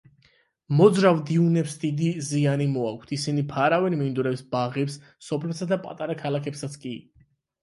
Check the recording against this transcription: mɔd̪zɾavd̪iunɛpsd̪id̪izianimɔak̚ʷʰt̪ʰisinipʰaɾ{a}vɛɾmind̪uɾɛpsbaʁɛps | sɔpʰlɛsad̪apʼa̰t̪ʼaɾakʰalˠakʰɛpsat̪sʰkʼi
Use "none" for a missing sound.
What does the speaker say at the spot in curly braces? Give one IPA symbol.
a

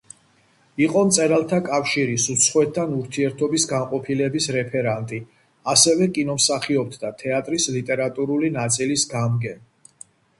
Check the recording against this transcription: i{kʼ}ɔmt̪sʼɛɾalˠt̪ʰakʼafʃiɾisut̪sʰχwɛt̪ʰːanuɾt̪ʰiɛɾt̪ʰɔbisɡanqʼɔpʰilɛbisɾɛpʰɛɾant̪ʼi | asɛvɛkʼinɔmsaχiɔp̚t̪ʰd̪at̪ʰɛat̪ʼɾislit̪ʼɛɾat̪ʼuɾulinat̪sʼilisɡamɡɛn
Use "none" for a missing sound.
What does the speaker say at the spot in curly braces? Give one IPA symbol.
qʼ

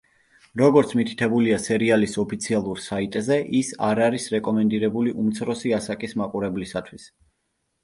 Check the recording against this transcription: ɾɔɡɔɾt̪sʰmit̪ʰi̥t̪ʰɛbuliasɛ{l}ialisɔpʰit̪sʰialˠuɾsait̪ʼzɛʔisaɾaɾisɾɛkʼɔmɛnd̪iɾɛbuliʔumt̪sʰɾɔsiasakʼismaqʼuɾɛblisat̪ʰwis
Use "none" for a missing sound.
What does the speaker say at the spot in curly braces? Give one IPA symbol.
ɾ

